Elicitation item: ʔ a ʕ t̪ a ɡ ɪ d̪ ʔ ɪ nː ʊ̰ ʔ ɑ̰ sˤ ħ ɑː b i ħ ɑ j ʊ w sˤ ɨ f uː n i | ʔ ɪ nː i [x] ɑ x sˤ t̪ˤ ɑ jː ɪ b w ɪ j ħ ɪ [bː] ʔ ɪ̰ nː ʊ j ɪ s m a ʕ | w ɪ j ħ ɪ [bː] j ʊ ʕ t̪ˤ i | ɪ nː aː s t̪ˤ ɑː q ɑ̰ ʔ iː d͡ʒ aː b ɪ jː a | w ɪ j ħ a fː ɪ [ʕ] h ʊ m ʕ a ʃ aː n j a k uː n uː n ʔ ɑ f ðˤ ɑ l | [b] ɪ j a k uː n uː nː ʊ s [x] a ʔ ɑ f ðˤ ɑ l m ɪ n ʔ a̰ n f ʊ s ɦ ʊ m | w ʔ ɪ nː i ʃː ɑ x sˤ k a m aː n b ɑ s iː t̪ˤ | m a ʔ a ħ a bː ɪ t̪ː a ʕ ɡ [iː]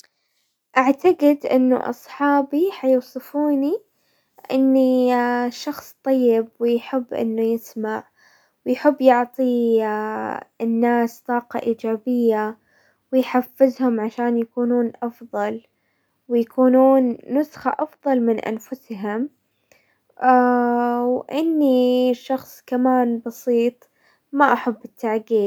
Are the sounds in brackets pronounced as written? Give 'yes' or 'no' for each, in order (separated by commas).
no, yes, yes, no, no, yes, yes